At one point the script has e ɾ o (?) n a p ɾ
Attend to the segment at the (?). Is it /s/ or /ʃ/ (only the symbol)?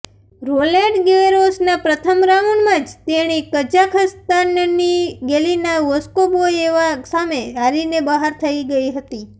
s